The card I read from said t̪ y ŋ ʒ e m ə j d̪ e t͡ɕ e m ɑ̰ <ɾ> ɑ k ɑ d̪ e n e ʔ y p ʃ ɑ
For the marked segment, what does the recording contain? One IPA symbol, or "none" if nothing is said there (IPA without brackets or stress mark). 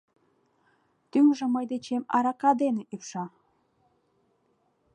ɾ